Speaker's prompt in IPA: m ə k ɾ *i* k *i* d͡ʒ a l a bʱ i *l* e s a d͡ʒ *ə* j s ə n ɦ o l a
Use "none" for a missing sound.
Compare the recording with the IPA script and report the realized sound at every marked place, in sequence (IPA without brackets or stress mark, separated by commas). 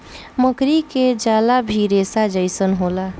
i, e, ɾ, ə